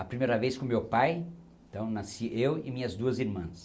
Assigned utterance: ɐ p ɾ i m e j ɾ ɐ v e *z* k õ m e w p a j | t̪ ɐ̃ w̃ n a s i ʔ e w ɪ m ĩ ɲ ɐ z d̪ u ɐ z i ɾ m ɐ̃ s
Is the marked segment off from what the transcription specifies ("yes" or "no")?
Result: yes